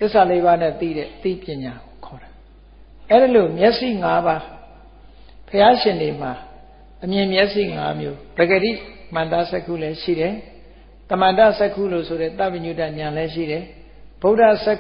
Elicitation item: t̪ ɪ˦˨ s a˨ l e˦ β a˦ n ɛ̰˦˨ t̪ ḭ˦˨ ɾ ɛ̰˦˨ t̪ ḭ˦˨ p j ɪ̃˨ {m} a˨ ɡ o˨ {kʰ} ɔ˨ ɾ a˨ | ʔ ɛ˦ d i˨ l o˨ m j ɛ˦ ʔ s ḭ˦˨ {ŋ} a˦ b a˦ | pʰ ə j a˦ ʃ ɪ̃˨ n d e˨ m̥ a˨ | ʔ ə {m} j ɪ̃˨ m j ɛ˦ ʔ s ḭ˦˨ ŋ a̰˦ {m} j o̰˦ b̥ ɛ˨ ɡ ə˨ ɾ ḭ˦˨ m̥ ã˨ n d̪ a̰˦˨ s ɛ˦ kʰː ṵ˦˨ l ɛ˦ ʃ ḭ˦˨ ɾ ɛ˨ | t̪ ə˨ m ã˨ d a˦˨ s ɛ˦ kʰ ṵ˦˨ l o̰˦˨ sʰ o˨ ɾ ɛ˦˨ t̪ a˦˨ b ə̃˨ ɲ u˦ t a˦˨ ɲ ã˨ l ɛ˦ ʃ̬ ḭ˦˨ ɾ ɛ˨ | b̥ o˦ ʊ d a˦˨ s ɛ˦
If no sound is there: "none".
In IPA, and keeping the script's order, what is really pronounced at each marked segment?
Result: ɲ, kʰ, ŋ, m, m

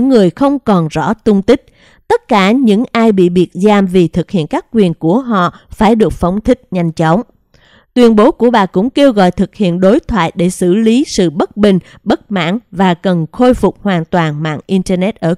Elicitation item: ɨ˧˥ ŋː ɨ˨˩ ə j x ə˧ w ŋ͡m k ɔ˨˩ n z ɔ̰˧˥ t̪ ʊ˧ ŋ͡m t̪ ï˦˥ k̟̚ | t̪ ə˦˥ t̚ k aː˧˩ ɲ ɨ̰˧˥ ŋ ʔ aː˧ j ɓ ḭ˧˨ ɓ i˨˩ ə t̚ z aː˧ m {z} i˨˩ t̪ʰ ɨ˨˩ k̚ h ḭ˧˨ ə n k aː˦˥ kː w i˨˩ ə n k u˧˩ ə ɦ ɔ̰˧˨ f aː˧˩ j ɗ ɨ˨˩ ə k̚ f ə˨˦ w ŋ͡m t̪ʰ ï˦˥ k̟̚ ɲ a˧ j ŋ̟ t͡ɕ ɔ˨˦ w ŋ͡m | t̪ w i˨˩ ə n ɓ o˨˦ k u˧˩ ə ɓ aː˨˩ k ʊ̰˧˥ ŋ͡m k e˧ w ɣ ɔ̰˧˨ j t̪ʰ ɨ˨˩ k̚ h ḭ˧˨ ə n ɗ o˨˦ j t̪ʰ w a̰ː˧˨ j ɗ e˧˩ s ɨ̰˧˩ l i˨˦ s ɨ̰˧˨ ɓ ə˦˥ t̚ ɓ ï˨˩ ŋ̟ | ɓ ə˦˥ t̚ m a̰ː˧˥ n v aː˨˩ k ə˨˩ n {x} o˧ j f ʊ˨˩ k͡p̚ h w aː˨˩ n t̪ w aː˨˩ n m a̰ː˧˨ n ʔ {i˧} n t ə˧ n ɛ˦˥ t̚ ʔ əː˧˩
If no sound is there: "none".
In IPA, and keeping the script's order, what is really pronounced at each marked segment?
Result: v, x, i˧

